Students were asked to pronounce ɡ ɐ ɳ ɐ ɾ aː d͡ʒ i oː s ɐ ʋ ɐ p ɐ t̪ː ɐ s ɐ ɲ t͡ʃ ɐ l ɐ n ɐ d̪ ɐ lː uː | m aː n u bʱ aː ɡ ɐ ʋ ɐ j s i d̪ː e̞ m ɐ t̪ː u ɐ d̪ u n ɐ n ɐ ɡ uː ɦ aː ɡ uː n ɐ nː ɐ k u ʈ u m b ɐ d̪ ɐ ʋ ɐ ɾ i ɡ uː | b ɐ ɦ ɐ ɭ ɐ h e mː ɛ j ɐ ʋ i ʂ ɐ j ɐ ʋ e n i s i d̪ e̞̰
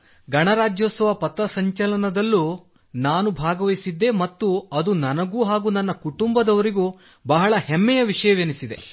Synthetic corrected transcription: ɡ ɐ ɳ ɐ ɾ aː d͡ʒ j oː s ɐ ʋ ɐ p ɐ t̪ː ɐ s ɐ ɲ t͡ʃ ɐ l ɐ n ɐ d̪ ɐ lː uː | n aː n u bʱ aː ɡ ɐ ʋ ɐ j s i d̪ː e̞ m ɐ t̪ː u ɐ d̪ u n ɐ n ɐ ɡ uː ɦ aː ɡ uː n ɐ nː ɐ k u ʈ u m b ɐ d̪ ɐ ʋ ɐ ɾ i ɡ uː | b ɐ ɦ ɐ ɭ ɐ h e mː ɛ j ɐ ʋ i ʂ ɐ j ɐ ʋ e n i s i d̪ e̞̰